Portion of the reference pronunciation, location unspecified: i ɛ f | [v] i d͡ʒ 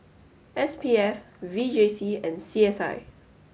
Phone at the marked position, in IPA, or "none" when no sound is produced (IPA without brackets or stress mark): v